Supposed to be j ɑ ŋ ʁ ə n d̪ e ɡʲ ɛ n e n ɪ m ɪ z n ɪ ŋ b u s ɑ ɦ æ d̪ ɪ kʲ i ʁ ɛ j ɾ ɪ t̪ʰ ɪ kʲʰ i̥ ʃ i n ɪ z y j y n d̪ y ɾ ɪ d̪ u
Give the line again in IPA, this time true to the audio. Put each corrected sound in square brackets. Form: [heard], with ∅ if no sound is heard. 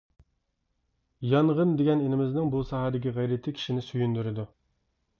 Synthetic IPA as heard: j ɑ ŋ ʁ ə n d̪ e ɡʲ ɛ n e n ɪ m ɪ z n ɪ ŋ b u s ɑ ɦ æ d̪ ɪ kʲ i ʁ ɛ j ɾ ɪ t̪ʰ ɪ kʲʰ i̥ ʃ i n ɪ [s] y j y n d̪ y ɾ ɪ d̪ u